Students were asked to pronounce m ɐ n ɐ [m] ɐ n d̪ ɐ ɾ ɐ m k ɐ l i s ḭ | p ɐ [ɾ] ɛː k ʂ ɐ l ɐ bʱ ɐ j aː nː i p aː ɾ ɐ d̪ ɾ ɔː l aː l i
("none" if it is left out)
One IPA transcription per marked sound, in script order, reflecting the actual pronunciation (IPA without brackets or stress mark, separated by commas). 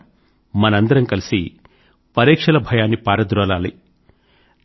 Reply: none, ɾ